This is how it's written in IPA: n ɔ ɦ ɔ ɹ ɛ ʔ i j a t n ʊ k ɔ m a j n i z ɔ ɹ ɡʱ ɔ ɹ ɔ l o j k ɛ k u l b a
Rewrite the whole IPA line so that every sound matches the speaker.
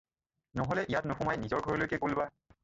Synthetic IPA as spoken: n ɔ ɦ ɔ l ɛ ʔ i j a t n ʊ x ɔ m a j n i z ɔ ɹ ɡʱ ɔ ɹ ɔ l o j k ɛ k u l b a